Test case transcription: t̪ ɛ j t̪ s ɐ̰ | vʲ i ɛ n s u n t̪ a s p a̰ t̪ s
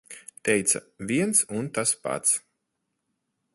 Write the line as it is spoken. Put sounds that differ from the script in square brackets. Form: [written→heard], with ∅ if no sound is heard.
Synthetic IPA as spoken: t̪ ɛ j t̪ s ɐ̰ | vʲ i ɛ n s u n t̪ a s p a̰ t̪ s